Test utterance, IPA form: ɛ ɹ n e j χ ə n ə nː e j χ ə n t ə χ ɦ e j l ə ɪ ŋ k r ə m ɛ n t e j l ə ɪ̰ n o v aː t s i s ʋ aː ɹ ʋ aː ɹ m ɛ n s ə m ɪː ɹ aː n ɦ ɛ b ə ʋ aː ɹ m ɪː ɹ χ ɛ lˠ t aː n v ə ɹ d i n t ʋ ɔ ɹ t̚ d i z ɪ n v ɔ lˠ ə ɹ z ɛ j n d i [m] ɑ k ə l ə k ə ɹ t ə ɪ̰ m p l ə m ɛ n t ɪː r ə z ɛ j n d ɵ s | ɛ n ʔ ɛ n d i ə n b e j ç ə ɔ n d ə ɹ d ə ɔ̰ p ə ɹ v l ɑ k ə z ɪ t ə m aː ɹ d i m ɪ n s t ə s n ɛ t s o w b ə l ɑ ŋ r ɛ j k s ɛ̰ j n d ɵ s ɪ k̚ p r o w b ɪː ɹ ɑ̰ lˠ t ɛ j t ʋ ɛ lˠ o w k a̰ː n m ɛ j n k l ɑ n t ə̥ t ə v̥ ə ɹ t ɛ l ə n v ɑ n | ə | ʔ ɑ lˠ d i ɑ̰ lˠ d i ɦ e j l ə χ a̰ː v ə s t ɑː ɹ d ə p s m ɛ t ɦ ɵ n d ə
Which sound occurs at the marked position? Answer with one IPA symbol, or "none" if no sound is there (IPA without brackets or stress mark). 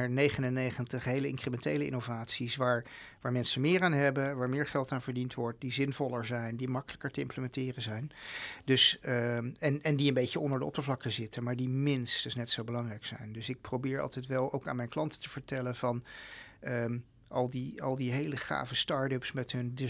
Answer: m